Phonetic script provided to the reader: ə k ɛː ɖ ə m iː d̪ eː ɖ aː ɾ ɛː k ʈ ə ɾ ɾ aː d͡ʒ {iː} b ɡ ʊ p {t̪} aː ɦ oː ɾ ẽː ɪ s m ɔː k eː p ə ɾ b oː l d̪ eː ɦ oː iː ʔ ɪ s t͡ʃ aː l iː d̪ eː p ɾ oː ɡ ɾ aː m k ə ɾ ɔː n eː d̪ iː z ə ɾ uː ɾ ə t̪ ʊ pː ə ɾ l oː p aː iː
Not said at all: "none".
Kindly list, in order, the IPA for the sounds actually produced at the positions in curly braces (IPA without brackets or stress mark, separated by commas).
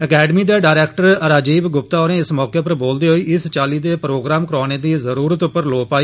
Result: iː, t̪